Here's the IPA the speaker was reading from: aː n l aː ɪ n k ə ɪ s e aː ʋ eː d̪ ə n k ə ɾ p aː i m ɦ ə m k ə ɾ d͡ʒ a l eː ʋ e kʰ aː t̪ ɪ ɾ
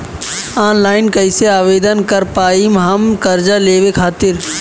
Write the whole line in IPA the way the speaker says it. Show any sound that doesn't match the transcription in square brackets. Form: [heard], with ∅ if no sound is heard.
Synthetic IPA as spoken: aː n l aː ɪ n k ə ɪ s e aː ʋ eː d̪ ə n k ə ɾ p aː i m ɦ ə m k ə ɾ d͡ʒ a l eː ʋ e kʰ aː t̪ ɪ ɾ